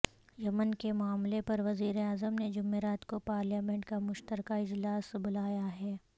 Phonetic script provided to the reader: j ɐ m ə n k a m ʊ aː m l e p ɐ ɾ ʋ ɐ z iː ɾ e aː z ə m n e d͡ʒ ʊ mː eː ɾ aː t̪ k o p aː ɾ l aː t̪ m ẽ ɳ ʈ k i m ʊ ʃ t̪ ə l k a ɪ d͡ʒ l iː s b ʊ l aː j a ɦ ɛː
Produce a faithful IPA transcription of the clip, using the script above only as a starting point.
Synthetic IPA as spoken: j ɐ m ə n k e m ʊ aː m l e p ɐ ɾ ʋ ɐ z iː ɾ e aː z ə m n e d͡ʒ ʊ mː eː ɾ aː t̪ k o p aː ɾ l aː m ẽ ɳ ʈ k a m ʊ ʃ t̪ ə ɾ k a ɪ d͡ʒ l aː s b ʊ l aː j a ɦ ɛː